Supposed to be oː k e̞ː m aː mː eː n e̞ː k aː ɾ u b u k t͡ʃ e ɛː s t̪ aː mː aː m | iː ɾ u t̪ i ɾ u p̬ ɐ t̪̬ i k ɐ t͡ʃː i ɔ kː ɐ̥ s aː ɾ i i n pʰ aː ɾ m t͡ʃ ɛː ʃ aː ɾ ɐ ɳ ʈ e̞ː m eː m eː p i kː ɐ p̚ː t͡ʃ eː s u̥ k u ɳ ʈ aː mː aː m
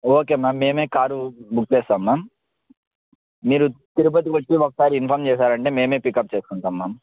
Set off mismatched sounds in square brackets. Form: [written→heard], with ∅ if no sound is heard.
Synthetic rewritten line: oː k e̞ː m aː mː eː [n→m] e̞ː k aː ɾ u b u k t͡ʃ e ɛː s t̪ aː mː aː m | iː ɾ u t̪ i ɾ u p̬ ɐ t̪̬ i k ɐ t͡ʃː i ɔ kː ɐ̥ s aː ɾ i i n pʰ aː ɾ m t͡ʃ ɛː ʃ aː ɾ ɐ ɳ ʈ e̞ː m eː m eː p i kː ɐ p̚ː t͡ʃ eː s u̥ k u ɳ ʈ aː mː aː m